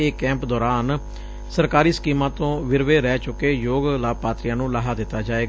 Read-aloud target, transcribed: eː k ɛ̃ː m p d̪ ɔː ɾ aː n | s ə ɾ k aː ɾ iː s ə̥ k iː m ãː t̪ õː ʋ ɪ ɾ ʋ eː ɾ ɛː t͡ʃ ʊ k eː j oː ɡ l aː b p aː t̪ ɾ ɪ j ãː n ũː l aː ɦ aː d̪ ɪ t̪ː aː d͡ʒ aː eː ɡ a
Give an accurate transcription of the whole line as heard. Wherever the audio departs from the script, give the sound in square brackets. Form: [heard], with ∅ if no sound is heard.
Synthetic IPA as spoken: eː k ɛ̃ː m p d̪ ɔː ɾ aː n | s ə ɾ k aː ɾ iː s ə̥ k iː m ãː t̪ õː ʋ ɪ ɾ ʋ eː ɾ ɛː t͡ʃ ʊ k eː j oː ɡ l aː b p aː t̪ ɾ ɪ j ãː n ũː l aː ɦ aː d̪ ɪ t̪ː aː d͡ʒ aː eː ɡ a

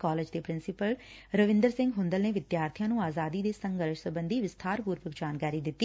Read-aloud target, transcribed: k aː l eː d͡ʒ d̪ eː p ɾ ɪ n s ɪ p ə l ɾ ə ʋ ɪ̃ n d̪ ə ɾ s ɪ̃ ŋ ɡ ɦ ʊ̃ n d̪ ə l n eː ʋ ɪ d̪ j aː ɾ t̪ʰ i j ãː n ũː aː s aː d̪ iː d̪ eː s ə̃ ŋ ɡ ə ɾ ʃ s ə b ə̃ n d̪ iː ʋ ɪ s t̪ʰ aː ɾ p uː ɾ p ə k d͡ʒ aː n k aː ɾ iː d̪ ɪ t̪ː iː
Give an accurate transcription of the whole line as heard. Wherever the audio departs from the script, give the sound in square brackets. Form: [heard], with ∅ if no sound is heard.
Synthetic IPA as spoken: k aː l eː d͡ʒ d̪ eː p ɾ ɪ n s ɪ p ə l ɾ ə ʋ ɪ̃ n d̪ ə ɾ s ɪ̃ ŋ ɡ ɦ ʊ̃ n d̪ ə l n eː ʋ ɪ d̪ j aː ɾ t̪ʰ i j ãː n ũː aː [z] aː d̪ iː d̪ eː s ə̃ ŋ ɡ ə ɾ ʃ s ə b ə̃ n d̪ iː ʋ ɪ s t̪ʰ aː ɾ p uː ɾ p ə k d͡ʒ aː n k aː ɾ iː d̪ ɪ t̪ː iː

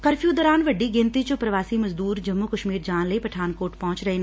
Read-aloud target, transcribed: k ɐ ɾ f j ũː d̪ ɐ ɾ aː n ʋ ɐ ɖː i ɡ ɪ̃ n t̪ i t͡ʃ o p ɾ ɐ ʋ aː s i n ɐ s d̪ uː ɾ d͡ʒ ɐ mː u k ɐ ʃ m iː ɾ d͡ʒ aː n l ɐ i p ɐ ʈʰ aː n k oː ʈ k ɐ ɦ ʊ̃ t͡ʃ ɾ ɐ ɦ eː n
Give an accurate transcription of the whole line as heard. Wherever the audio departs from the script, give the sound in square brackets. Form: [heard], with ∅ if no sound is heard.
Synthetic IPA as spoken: k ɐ ɾ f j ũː d̪ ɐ ɾ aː n ʋ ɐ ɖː i ɡ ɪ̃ n t̪ i t͡ʃ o p ɾ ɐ ʋ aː s i [m] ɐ [z] d̪ uː ɾ d͡ʒ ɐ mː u k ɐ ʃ m iː ɾ d͡ʒ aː n l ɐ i p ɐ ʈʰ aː n k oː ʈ [p] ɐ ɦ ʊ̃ t͡ʃ ɾ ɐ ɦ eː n

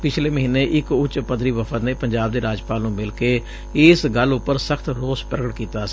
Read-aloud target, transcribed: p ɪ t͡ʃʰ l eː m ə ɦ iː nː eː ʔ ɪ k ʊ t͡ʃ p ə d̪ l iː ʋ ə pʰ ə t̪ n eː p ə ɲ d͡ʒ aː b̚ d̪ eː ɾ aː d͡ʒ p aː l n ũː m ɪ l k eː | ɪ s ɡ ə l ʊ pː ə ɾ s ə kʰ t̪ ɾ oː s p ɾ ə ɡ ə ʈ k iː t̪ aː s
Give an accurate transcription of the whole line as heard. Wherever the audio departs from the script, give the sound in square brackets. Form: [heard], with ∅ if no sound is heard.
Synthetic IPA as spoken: p ɪ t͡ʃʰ l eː m ə ɦ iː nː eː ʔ ɪ k ʊ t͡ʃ p ə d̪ [ɾ] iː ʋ ə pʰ ə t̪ n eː p ə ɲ d͡ʒ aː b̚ d̪ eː ɾ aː d͡ʒ p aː l n ũː m ɪ l k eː | ɪ s ɡ ə l ʊ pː ə ɾ s ə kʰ t̪ ɾ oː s p ɾ ə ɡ ə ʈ k iː t̪ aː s

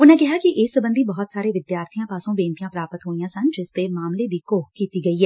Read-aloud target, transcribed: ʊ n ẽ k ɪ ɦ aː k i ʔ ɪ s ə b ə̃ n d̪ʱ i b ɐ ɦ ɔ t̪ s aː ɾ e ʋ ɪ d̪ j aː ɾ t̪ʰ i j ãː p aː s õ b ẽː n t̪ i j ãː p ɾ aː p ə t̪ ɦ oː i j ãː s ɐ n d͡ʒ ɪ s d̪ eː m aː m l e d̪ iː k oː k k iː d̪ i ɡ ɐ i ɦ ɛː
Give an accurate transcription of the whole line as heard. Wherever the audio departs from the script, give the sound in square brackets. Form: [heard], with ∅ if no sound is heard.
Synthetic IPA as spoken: ʊ n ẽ k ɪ ɦ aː k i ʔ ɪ s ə b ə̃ n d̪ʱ i b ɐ ɦ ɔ t̪ s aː ɾ e ʋ ɪ d̪ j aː ɾ t̪ʰ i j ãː p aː s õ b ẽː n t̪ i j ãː p ɾ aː p ə t̪ ɦ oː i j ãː s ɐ n d͡ʒ ɪ s [t̪] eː m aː m l e d̪ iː k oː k k iː [t̪] i ɡ ɐ i ɦ ɛː

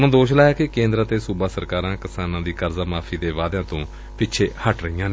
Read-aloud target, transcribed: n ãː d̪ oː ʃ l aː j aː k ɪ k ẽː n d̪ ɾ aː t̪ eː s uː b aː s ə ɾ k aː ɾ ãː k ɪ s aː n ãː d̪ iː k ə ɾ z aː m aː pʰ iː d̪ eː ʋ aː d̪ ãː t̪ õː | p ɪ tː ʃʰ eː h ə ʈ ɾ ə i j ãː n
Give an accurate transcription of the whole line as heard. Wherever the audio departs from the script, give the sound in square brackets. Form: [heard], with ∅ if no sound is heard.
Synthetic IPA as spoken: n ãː d̪ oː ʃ l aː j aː k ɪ k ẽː n d̪ ɾ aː t̪ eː s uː b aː s ə ɾ k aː ɾ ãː k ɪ s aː n ãː d̪ iː k ə ɾ z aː m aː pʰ iː d̪ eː ʋ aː d̪ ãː t̪ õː | p ɪ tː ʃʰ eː h ə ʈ ɾ ə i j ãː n

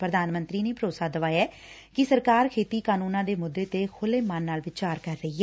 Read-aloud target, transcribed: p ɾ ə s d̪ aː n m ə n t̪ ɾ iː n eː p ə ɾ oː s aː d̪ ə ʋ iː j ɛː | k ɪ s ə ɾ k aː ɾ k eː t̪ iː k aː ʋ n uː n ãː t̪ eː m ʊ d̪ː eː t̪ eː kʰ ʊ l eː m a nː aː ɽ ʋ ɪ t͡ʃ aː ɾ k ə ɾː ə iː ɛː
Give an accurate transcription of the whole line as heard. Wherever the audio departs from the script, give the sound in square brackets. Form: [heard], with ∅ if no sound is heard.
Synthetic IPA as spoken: p ɾ ə [∅] d̪ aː n m ə n t̪ ɾ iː n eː p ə ɾ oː s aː d̪ ə ʋ [aː] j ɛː | k ɪ s ə ɾ k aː ɾ [kʰ] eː t̪ iː k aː [∅] n uː n ãː [d̪] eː m ʊ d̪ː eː t̪ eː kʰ ʊ l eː m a nː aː [l] ʋ ɪ t͡ʃ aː ɾ k ə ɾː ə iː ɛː

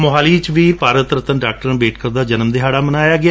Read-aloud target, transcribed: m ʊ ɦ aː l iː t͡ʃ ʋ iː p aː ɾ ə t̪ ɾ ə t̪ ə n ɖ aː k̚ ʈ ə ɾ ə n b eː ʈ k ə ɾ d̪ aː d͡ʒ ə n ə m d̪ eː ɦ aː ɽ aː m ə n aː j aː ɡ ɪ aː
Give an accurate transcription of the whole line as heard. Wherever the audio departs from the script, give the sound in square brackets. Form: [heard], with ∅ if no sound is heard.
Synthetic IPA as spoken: m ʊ ɦ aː l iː t͡ʃ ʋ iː p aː ɾ ə t̪ ɾ ə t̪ ə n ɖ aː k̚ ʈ ə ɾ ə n b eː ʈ k ə ɾ d̪ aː d͡ʒ ə n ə m d̪ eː ɦ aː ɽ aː m ə n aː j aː ɡ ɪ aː

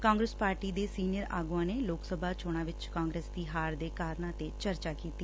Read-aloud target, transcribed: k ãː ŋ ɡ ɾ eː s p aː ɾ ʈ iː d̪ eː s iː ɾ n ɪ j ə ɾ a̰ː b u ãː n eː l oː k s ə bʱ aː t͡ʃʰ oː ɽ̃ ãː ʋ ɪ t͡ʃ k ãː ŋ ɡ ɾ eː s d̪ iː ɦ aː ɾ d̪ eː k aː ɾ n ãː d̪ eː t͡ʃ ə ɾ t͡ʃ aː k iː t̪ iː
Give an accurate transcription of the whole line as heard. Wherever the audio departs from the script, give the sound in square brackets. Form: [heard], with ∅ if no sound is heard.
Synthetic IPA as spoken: k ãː ŋ ɡ ɾ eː s p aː ɾ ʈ iː d̪ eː s iː [∅] n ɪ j ə ɾ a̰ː [ɡ] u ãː n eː l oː k s ə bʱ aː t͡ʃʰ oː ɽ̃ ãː ʋ ɪ t͡ʃ k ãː ŋ ɡ ɾ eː s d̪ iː ɦ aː ɾ d̪ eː k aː ɾ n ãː [t̪] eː t͡ʃ ə ɾ t͡ʃ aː k iː t̪ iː

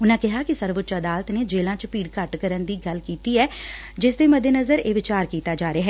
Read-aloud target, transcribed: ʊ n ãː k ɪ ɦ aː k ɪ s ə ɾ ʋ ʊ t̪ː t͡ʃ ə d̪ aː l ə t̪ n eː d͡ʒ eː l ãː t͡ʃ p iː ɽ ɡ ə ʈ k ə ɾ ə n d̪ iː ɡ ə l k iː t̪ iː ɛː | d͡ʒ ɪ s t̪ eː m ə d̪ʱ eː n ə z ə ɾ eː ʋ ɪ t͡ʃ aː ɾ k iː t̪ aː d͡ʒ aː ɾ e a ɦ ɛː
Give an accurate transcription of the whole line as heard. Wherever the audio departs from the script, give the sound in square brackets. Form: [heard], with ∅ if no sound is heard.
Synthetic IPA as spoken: ʊ n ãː k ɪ ɦ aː k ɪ s ə ɾ ʋ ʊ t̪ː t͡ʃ ə d̪ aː l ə t̪ n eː d͡ʒ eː l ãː t͡ʃ p iː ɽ [k] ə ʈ k ə ɾ ə n d̪ iː ɡ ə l k iː t̪ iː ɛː | d͡ʒ ɪ s [d̪] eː m ə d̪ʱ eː n ə z ə ɾ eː ʋ ɪ t͡ʃ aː ɾ k iː t̪ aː d͡ʒ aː ɾ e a ɦ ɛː

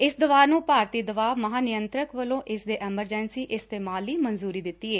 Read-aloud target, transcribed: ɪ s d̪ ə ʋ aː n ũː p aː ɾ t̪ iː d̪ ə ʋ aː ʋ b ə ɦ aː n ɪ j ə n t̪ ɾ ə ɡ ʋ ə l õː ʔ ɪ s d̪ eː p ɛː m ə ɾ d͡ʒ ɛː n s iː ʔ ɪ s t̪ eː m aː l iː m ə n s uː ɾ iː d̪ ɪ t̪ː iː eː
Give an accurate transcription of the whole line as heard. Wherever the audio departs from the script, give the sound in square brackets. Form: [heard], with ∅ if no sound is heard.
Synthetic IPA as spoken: ɪ s d̪ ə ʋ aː n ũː p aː ɾ t̪ iː d̪ ə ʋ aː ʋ [m] ə ɦ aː n ɪ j ə n t̪ ɾ ə [k] ʋ ə l õː ʔ ɪ s d̪ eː [ʔ] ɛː m ə ɾ d͡ʒ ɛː n s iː ʔ ɪ s t̪ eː m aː l iː m ə n [z] uː ɾ iː d̪ ɪ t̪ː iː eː

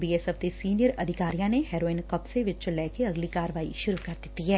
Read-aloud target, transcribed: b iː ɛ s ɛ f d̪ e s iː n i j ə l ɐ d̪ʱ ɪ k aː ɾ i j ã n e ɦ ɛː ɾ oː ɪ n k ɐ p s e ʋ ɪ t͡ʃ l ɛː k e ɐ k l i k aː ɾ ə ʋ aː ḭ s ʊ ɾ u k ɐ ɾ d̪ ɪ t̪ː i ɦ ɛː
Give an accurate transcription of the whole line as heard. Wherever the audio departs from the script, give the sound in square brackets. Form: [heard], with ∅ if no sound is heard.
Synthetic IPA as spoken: b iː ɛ s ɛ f d̪ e s iː n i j ə [ɾ] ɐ d̪ʱ ɪ k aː ɾ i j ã n e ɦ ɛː ɾ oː ɪ n k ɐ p s e ʋ ɪ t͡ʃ l ɛː k e ɐ [ɡ] l i k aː ɾ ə ʋ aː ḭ [ʃ] ʊ ɾ u k ɐ ɾ d̪ ɪ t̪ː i ɦ ɛː

